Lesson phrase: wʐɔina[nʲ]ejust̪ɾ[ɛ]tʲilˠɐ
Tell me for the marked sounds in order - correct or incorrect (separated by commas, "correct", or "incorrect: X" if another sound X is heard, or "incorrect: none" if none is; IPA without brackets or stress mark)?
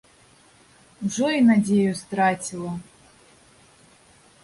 incorrect: dʲ, incorrect: a